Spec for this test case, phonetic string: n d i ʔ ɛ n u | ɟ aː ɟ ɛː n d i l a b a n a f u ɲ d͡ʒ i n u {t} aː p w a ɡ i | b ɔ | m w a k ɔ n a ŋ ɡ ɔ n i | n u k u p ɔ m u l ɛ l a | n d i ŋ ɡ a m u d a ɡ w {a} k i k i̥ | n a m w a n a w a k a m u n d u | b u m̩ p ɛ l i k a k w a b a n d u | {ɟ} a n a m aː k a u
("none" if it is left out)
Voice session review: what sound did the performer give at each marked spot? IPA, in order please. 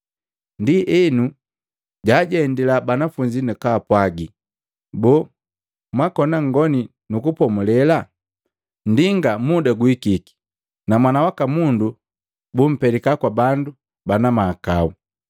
k, i, b

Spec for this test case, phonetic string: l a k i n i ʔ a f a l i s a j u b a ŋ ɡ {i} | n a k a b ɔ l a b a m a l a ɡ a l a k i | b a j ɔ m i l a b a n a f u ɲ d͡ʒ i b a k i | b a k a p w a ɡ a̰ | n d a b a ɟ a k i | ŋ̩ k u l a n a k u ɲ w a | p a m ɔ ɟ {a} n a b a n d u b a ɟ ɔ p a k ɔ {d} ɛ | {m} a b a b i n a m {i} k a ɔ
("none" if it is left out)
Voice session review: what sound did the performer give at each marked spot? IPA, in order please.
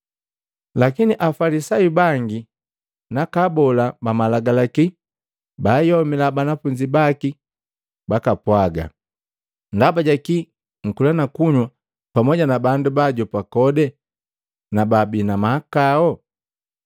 i, a, d, n, a

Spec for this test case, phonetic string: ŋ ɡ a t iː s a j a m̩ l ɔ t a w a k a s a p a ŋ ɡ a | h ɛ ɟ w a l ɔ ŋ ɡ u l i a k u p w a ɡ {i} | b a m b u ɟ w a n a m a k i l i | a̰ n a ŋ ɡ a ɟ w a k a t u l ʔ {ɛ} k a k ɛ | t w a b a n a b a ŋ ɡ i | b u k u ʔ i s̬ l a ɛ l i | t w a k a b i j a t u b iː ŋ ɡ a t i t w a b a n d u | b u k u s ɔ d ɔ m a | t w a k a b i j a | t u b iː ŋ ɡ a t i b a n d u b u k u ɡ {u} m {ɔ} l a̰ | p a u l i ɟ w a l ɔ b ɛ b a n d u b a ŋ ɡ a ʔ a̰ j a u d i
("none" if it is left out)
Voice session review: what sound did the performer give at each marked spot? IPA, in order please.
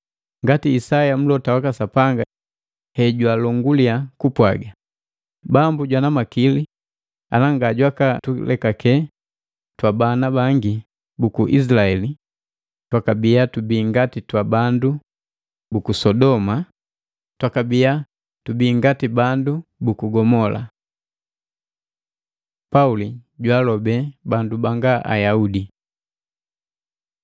a, ɛ, ɔ, ɔ

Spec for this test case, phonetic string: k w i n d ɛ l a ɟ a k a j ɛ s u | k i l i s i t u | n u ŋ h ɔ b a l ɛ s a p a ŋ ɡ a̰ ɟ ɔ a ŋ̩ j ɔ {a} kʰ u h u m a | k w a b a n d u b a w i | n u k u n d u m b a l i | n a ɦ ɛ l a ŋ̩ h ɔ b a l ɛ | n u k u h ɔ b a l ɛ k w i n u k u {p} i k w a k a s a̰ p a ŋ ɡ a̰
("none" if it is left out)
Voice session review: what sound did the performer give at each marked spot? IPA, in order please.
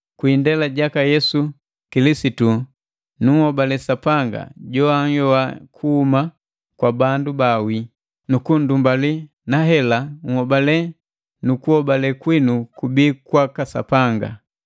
a, b

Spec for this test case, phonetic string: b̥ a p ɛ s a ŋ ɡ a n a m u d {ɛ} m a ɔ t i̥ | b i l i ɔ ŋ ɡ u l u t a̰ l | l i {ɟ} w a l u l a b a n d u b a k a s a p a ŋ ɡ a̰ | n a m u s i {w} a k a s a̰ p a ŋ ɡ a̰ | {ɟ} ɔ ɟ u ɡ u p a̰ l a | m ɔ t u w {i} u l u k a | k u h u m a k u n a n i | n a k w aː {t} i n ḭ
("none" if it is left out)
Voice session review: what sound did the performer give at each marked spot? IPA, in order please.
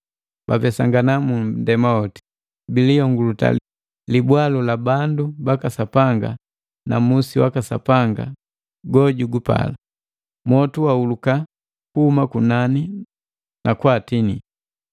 ɛ, b, w, ɡ, a, t

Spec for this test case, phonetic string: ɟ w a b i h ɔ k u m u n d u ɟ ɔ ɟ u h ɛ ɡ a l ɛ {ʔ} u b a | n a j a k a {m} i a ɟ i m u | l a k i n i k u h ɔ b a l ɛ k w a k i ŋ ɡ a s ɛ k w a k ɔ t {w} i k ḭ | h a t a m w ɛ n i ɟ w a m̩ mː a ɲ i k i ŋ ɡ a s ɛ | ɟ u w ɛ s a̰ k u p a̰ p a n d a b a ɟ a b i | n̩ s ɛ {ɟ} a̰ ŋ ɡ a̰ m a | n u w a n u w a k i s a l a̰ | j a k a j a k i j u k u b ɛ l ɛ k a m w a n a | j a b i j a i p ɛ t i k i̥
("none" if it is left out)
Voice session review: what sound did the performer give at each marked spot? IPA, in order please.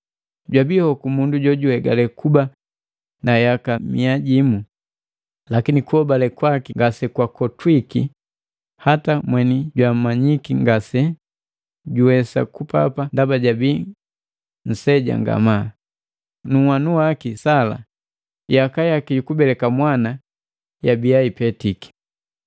k, m, w, ɟ

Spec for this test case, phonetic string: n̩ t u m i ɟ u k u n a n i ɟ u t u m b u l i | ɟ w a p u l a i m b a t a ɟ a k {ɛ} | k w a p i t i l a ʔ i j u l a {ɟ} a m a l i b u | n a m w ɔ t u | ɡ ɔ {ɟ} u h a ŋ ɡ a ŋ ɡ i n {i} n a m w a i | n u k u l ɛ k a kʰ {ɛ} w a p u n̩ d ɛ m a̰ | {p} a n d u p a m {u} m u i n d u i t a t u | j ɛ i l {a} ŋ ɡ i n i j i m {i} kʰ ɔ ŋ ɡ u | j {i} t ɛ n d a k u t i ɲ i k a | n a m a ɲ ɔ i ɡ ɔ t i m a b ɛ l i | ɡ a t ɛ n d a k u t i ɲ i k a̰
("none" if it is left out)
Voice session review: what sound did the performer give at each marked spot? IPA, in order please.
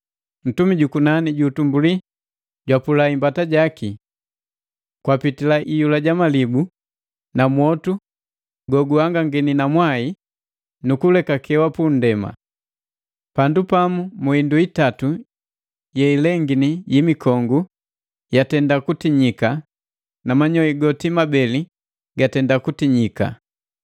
i, ɟ, ɡ, i, ɛ, p, u, ɛ, i, a

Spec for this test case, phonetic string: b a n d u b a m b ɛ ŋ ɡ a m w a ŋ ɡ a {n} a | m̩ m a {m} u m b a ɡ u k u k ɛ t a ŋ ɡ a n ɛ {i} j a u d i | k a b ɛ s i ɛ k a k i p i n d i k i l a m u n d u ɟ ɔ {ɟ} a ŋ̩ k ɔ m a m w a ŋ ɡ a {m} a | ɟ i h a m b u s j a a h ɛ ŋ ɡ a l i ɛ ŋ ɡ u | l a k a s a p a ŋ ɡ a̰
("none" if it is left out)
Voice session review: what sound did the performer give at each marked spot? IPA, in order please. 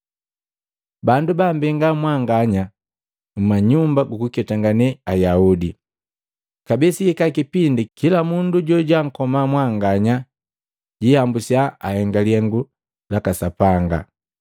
ɲ, ɲ, a, ɟ, ɲ

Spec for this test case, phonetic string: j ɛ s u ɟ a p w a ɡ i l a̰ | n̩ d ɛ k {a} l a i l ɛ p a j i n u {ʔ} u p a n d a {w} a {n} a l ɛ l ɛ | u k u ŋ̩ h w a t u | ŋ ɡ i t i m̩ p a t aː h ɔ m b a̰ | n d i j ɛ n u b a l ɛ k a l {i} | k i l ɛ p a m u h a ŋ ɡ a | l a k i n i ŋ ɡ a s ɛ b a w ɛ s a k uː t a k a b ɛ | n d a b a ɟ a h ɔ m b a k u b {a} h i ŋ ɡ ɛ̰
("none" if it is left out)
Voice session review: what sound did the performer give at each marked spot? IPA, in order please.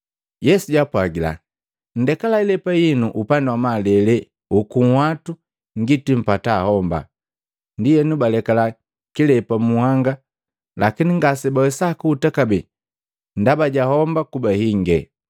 a, ʔ, w, m, a, a

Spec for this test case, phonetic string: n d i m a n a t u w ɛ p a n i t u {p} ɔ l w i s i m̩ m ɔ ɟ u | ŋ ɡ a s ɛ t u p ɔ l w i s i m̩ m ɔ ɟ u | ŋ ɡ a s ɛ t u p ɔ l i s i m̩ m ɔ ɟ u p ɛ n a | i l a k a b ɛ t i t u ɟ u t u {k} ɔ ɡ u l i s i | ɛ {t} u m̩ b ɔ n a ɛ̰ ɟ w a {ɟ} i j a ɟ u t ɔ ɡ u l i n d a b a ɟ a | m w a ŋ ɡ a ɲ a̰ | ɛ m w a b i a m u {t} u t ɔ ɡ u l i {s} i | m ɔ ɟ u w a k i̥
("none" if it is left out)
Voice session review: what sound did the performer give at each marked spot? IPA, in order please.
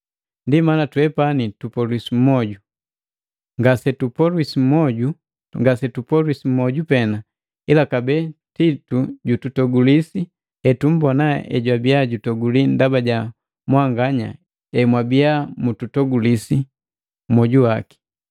p, t, t, b, t, s

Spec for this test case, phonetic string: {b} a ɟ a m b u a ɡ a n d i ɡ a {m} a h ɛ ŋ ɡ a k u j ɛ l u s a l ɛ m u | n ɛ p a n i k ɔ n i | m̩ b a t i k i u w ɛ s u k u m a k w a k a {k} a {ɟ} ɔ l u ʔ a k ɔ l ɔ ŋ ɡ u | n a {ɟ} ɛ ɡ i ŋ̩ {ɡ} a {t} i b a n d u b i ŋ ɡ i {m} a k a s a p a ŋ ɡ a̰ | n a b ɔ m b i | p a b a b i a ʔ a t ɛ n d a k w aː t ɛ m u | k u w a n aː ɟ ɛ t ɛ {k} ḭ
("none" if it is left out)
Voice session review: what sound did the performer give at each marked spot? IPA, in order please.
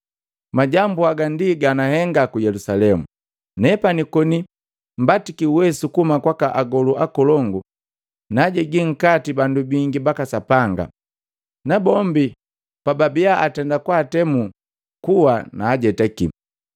m, n, ʔ, ɡ, ɟ, k, t, b, k

